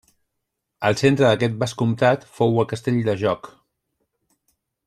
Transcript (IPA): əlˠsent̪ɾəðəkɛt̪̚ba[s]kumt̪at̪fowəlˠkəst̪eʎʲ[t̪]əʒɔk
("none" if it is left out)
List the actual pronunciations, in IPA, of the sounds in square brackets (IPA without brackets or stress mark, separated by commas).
s, d̪